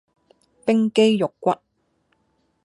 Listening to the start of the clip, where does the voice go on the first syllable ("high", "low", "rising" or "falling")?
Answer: high